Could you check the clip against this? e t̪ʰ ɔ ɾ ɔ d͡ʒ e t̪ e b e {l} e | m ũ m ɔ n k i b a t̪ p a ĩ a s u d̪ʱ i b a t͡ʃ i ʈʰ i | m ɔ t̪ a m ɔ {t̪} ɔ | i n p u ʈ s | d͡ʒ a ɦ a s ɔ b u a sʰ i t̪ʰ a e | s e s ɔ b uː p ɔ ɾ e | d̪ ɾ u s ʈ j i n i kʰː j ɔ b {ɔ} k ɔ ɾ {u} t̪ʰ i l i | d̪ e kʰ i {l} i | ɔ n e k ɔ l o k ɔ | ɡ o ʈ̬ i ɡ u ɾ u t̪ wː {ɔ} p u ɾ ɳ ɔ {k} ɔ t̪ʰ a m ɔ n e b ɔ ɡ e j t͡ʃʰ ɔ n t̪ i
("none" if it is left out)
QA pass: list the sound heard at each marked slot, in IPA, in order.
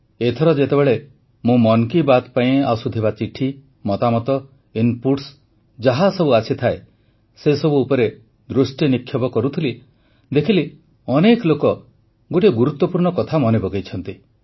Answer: ɭ, t̪, ɔ, u, l, ɔ, k

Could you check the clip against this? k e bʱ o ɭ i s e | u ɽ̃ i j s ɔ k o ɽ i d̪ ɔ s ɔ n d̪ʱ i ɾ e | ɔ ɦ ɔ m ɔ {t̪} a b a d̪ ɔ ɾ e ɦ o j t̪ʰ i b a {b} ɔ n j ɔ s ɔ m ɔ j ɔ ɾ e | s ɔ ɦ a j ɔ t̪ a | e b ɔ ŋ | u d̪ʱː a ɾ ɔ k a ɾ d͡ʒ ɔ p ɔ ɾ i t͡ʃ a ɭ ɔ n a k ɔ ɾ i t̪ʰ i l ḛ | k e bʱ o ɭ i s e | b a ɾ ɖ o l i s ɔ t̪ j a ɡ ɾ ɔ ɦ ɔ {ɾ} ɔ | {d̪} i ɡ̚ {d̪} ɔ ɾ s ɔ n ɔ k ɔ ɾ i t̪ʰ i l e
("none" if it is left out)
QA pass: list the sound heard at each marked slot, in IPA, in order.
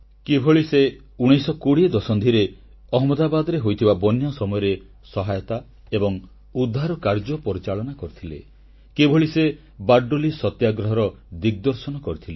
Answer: d̪, b, ɾ, d̪, d̪

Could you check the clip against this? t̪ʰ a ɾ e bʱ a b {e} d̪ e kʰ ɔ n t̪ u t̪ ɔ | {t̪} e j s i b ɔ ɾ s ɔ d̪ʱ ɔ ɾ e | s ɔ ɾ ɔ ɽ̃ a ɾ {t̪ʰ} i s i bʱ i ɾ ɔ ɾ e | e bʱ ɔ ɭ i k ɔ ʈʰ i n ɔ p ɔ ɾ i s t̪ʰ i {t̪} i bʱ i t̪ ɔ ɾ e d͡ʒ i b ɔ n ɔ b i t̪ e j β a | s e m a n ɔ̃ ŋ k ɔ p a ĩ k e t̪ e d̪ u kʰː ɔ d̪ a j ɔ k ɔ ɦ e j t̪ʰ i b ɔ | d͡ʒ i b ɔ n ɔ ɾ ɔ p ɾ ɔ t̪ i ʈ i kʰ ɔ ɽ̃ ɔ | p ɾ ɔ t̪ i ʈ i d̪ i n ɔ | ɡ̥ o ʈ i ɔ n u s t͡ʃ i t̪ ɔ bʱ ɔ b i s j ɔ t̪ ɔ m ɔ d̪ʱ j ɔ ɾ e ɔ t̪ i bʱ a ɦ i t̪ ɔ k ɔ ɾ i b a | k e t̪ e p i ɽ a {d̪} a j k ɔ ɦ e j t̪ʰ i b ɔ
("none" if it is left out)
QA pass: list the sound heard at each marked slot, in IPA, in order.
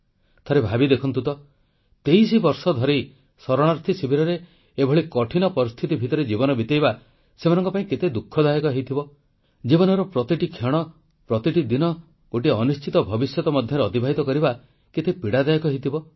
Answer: i, t̪, t̪ʰ, t̪, d̪

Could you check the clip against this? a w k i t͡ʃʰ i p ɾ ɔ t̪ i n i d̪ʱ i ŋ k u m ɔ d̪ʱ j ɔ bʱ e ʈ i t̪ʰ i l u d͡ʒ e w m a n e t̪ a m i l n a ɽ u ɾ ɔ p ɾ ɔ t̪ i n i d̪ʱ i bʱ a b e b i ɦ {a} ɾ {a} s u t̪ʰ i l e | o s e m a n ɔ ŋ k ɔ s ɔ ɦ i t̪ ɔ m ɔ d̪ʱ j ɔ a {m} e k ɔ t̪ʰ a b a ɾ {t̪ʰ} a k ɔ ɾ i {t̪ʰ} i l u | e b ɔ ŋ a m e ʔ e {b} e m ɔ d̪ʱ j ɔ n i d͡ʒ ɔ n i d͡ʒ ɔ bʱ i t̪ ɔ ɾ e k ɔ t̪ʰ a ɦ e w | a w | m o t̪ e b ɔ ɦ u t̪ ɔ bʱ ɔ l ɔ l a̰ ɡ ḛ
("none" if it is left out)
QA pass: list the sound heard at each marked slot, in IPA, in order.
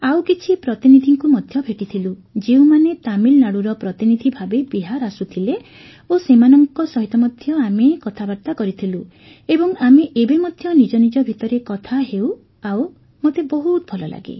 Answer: a, a, m, t̪, t̪ʰ, b

